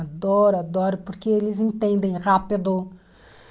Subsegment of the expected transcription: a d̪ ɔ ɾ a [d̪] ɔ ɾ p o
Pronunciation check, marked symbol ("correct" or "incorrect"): correct